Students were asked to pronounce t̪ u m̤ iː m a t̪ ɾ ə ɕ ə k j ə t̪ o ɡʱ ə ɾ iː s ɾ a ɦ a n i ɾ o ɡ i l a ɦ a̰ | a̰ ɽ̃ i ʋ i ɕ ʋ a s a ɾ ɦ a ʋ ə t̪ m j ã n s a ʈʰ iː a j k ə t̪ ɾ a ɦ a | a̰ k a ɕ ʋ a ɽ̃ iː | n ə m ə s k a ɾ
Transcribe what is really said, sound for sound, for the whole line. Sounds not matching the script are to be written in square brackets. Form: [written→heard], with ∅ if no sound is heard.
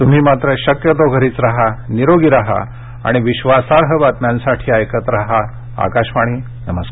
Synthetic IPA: t̪ u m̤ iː m a t̪ ɾ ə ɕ ə k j ə t̪ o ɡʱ ə ɾ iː [s→t͡s] ɾ a ɦ a n i ɾ o ɡ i [l→ɾ] a ɦ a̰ | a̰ ɽ̃ i ʋ i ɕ ʋ a s a ɾ ɦ [a→ə] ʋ [ə→a] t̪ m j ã n s a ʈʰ iː a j k ə t̪ ɾ a ɦ a | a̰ k a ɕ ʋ a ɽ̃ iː | n ə m ə s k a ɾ